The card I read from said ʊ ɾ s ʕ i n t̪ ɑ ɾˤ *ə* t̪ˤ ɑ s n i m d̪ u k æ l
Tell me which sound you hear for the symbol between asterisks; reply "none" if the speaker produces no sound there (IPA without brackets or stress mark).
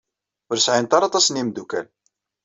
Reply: ɑ